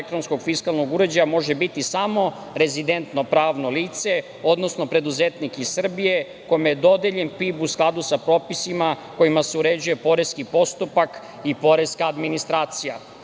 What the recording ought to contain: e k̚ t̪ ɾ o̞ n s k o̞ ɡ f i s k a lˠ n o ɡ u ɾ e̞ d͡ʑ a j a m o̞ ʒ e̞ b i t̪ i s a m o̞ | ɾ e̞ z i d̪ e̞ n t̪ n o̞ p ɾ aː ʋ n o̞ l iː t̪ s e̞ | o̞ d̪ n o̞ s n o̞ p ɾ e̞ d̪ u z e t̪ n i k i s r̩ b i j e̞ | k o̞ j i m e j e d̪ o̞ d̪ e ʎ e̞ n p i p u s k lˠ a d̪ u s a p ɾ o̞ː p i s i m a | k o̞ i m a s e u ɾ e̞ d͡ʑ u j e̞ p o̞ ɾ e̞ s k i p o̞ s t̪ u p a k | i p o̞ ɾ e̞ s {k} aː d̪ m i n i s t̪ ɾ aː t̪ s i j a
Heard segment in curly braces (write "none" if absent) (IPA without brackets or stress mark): k